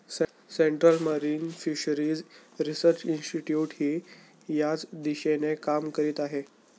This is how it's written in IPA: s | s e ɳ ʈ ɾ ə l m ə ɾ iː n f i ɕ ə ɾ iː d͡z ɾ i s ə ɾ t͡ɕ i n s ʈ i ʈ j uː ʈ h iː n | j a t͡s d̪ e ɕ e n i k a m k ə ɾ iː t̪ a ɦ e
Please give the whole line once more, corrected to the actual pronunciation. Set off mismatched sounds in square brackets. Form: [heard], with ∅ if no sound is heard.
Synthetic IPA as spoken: s | s e ɳ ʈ ɾ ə l m ə ɾ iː n f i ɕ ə ɾ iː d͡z ɾ i s ə ɾ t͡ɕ i n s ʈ i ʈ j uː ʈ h iː [∅] | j a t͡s d̪ [i] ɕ e n [e] k a m k ə ɾ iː t̪ a ɦ e